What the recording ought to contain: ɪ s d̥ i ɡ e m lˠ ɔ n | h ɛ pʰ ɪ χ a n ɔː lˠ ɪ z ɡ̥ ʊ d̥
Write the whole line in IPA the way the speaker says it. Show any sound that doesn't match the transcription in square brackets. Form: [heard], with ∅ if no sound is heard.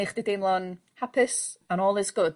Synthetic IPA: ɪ [χ] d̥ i [d] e m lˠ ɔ n | h [a] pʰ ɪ [s] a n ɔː lˠ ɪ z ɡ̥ ʊ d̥

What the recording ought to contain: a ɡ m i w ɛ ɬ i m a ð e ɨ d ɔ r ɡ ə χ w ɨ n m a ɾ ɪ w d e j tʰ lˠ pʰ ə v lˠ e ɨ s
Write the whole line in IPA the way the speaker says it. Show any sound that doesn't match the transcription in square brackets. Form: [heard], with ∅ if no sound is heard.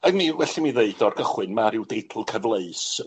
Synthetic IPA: a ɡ m i w ɛ ɬ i m [i] ð e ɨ d ɔ r ɡ ə χ w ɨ n m a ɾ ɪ w d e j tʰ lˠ [kʰ] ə v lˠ e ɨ s

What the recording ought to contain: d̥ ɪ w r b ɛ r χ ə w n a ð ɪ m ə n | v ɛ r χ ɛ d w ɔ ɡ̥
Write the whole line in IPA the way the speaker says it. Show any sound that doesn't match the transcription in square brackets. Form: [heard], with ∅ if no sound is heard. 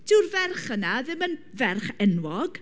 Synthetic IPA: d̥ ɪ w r [v] ɛ r χ ə [∅] n a ð ɪ m ə n | v ɛ r χ ɛ [n] w ɔ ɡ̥

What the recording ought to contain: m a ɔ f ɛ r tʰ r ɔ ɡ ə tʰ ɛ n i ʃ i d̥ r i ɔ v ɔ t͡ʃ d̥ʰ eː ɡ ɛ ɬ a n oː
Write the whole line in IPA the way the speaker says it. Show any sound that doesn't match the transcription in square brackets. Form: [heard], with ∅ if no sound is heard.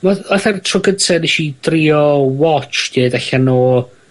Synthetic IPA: m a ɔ [θ] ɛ r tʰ r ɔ ɡ ə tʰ ɛ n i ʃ i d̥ r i ɔ [w] ɔ t͡ʃ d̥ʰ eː [d] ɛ ɬ a n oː

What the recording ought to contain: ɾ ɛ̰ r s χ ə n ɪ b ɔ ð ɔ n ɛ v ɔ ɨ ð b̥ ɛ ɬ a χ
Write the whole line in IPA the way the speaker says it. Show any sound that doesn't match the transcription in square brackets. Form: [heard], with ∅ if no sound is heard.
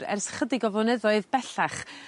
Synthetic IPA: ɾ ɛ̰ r s χ ə [d] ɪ [ɡ] ɔ [v] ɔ n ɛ [ð] ɔ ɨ ð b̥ ɛ ɬ a χ

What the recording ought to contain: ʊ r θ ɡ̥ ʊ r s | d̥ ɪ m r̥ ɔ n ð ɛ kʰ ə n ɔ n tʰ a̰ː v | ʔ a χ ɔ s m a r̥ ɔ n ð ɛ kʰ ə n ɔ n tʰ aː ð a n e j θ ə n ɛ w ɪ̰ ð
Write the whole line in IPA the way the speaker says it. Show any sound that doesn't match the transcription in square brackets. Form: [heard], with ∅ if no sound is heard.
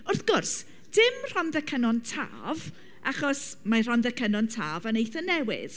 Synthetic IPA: ʊ r θ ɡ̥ ʊ r s | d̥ ɪ m r̥ ɔ n ð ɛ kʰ ə n ɔ n tʰ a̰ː v | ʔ a χ ɔ s m a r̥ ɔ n ð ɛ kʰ ə n ɔ n tʰ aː [v] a n e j θ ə n ɛ w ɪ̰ ð

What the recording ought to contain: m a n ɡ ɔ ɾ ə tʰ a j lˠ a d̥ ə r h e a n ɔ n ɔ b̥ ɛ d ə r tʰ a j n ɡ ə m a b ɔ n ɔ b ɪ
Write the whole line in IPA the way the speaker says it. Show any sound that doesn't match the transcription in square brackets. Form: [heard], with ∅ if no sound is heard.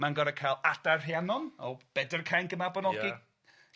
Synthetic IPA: m a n ɡ ɔ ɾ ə [kʰ] a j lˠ a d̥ [a] r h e a n ɔ n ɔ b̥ ɛ d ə r [kʰ] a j n ɡ ə m a b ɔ n ɔ [ɡ] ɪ

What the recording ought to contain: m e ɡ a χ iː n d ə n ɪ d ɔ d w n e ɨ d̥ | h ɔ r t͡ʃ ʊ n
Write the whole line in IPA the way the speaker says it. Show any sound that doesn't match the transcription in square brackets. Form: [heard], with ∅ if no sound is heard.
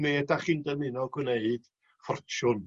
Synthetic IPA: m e [d] a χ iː n d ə n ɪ [n] ɔ [ɡ] w n e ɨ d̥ | [f] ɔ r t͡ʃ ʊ n

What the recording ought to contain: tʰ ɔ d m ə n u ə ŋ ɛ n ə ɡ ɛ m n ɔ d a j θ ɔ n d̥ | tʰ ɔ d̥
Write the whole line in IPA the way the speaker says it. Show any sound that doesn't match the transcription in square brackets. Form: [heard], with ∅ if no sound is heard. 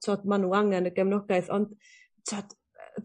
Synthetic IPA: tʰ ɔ d m [a] n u [a] ŋ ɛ n ə ɡ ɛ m n ɔ [ɡ] a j θ ɔ n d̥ | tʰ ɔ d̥

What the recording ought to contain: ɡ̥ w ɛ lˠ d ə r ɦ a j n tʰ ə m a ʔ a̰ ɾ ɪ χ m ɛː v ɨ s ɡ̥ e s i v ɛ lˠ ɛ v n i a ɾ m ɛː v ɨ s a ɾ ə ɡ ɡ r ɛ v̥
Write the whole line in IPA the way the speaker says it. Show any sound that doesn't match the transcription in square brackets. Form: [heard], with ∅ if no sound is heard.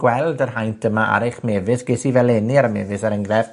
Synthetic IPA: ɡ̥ w ɛ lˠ d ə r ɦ a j n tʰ ə m a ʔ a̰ ɾ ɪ χ m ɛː v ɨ s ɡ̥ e s i v ɛ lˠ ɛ [∅] n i a ɾ m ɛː v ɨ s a ɾ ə [ŋ] ɡ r ɛ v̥

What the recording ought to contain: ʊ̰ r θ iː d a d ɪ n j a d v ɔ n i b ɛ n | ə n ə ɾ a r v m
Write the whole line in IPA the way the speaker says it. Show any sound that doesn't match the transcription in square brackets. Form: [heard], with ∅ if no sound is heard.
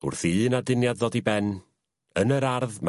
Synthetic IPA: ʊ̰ r θ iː [n] a d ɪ n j a d [ð] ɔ [d] i b ɛ n | ə n ə ɾ a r [ð] m

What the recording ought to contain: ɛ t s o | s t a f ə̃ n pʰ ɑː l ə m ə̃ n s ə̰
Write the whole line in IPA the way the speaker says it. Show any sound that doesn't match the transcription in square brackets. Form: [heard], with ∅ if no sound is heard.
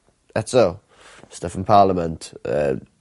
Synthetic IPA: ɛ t s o | s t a f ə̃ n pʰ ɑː l ə m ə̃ n [t] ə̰

